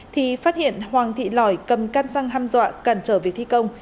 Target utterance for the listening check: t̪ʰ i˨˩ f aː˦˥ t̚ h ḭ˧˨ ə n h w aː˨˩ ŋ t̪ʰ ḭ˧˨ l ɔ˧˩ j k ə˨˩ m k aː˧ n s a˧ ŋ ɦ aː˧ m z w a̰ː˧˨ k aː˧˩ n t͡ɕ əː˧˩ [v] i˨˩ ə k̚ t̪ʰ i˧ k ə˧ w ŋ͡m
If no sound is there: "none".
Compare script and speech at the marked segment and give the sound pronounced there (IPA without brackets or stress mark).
v